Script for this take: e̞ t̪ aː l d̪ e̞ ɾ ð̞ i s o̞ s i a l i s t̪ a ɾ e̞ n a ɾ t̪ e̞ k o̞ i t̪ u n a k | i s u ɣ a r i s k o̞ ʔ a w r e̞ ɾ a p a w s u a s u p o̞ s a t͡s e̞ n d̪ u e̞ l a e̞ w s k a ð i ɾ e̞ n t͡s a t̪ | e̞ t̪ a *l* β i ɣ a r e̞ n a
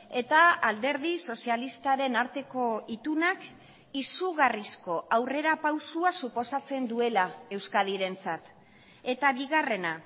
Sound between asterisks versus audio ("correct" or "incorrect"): incorrect